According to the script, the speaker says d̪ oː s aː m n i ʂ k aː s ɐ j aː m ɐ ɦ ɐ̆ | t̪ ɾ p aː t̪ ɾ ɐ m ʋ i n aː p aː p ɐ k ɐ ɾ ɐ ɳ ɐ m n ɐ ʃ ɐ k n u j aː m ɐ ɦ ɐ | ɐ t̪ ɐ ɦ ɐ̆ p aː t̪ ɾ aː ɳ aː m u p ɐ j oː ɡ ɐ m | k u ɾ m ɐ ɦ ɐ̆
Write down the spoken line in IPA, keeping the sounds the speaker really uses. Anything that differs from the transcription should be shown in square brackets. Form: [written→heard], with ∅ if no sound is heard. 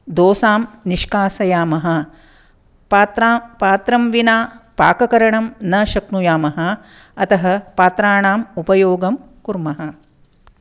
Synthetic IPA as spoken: d̪ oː s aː m n i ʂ k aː s ɐ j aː m ɐ ɦ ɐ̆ | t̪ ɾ p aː t̪ ɾ ɐ m ʋ i n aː p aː [p→k] ɐ k ɐ ɾ ɐ ɳ ɐ m n ɐ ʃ ɐ k n u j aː m ɐ ɦ ɐ | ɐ t̪ ɐ ɦ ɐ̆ p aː t̪ ɾ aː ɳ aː m u p ɐ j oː ɡ ɐ m | k u ɾ m ɐ ɦ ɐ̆